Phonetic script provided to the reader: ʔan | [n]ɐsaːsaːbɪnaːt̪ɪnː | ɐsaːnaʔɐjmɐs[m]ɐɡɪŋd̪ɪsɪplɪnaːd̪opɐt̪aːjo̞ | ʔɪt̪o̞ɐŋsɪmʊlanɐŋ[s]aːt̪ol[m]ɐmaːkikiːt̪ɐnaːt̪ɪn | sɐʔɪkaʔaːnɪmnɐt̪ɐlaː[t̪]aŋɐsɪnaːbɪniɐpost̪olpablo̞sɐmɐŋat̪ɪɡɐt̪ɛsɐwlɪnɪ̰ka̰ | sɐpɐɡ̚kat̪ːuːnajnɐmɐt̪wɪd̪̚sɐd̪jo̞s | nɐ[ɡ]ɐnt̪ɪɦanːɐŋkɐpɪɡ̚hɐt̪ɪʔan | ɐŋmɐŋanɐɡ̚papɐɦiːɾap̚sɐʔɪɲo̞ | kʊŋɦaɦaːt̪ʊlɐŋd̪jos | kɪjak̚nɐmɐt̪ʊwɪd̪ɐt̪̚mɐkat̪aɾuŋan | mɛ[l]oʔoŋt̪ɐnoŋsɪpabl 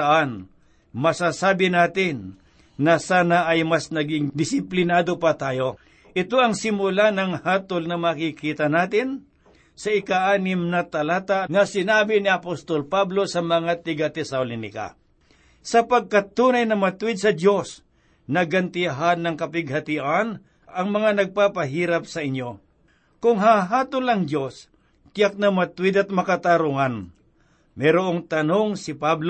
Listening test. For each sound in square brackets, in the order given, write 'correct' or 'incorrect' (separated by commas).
incorrect, incorrect, incorrect, incorrect, correct, correct, incorrect